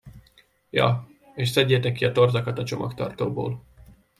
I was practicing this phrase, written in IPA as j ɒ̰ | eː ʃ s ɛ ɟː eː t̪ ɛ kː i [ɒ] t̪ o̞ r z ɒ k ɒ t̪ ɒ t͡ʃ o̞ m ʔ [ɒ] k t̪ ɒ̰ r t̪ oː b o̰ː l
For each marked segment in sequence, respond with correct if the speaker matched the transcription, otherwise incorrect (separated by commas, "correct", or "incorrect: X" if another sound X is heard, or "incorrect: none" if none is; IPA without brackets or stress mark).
correct, correct